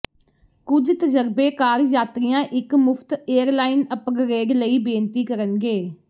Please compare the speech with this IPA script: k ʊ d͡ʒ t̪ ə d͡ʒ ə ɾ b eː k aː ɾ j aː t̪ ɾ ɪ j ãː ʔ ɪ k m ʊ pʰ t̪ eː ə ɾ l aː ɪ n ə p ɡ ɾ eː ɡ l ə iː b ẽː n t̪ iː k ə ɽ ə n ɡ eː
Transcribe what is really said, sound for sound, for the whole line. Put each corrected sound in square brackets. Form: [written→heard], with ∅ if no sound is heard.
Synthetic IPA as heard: k ʊ d͡ʒ t̪ ə d͡ʒ ə ɾ b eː k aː ɾ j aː t̪ ɾ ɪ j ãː ʔ ɪ k m ʊ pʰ t̪ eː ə ɾ l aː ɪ n ə p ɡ ɾ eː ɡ l ə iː b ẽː n t̪ iː k ə [ɽ→ɾ] ə n ɡ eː